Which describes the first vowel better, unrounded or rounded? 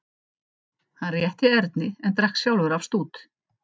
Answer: unrounded